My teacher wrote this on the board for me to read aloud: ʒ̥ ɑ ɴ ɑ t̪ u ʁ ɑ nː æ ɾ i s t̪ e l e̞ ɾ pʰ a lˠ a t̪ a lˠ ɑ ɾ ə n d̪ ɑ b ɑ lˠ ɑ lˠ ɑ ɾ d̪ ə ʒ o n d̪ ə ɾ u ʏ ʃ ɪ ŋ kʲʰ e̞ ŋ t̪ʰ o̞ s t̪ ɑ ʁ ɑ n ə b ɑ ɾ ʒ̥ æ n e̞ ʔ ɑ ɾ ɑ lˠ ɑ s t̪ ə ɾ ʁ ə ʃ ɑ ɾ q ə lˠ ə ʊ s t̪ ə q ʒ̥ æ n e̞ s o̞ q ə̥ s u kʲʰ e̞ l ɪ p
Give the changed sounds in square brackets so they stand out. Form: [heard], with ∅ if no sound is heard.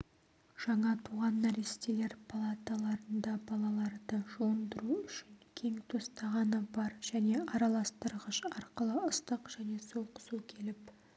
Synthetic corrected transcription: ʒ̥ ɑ ɴ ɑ [t̪ʰ] u ʁ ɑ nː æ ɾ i s t̪ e l e̞ ɾ pʰ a lˠ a t̪ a lˠ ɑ ɾ ə n d̪ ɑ b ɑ lˠ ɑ lˠ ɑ ɾ d̪ ə ʒ o n d̪ ə ɾ u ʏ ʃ ɪ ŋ kʲʰ e̞ ŋ t̪ʰ o̞ s t̪ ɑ ʁ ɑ n ə b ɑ ɾ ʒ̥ æ n e̞ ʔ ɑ ɾ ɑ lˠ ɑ s t̪ ə ɾ ʁ ə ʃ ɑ ɾ q ə lˠ ə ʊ s t̪ ə q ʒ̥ æ n e̞ s o̞ q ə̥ s u kʲʰ e̞ l ɪ p